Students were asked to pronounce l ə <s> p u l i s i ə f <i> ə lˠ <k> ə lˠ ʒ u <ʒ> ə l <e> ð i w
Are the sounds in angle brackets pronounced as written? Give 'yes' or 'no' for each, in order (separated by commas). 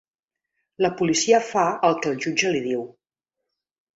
no, no, yes, no, no